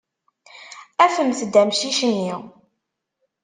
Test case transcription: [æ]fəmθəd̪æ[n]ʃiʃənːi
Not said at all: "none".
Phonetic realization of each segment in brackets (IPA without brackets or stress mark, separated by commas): æ, m